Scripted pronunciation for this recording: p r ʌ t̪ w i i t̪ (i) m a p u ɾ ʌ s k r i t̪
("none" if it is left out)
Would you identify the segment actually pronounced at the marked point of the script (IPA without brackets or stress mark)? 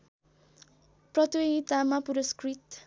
a